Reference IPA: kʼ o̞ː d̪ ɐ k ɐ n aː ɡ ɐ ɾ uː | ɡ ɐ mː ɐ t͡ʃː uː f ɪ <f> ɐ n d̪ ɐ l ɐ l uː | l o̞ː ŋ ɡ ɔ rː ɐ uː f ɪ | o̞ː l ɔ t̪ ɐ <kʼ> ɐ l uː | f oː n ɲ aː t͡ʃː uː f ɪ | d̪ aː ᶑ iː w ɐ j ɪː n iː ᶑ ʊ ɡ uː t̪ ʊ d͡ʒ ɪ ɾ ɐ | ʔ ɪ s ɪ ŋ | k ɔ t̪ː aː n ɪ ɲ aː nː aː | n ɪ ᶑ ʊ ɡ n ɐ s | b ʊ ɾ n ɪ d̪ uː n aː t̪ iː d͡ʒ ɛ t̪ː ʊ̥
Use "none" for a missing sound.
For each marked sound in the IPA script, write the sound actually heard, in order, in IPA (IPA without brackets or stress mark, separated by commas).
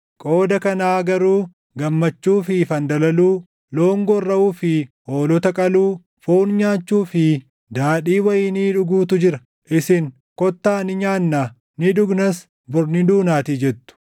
f, kʼ